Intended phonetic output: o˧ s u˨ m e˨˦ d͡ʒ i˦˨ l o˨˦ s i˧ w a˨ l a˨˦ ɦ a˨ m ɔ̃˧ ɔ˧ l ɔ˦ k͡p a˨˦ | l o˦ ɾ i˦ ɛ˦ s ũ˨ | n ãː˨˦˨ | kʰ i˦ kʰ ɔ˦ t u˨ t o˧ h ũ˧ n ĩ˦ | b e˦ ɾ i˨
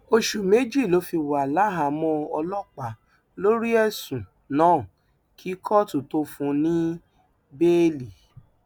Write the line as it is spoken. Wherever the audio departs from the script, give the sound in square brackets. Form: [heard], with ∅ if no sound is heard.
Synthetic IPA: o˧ [ʃ] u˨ m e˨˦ d͡ʒ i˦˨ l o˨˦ [f] i˧ w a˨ l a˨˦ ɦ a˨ m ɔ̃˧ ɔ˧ l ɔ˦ k͡p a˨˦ | l o˦ ɾ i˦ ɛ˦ s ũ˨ | n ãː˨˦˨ | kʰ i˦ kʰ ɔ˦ t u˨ t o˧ [f] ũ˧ n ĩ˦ | b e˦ [l] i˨